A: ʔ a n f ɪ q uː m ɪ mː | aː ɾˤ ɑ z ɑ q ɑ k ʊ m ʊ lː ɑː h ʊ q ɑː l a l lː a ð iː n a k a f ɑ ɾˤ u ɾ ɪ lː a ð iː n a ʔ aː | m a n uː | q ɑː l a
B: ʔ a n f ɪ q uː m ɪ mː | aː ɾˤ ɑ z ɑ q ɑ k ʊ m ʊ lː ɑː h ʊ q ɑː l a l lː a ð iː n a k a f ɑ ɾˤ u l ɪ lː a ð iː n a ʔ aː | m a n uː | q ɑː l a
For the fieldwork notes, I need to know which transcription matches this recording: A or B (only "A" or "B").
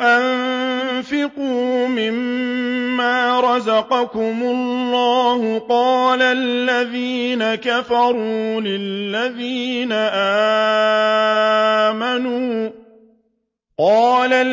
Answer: B